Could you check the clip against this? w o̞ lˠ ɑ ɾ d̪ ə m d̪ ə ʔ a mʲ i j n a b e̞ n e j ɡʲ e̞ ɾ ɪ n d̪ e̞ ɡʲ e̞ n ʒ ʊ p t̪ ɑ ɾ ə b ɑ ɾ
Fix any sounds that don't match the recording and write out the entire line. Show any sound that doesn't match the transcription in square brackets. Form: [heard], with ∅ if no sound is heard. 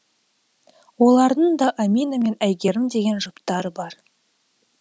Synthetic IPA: w o̞ lˠ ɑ ɾ d̪ ə [ɴ] d̪ [ɑ] ʔ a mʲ i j n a [m] e̞ n [æ] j ɡʲ e̞ ɾ ɪ [m] d̪ e̞ ɡʲ e̞ n ʒ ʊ p t̪ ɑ ɾ ə b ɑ ɾ